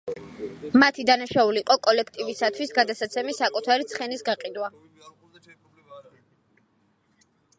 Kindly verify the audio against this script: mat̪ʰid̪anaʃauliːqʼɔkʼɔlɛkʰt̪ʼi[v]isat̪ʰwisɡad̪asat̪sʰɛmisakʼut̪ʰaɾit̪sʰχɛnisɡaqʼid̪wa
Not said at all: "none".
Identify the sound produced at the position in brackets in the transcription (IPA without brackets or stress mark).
v